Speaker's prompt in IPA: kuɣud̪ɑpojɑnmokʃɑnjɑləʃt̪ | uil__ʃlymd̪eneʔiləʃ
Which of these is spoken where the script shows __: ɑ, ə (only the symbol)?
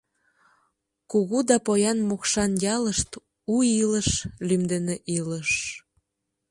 ə